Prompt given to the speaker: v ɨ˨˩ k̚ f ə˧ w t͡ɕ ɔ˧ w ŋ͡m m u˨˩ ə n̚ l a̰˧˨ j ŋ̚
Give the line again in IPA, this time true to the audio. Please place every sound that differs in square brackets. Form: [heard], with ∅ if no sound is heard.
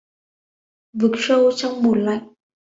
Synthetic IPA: v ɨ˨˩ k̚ [s] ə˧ w t͡ɕ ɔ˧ w ŋ͡m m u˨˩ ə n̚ l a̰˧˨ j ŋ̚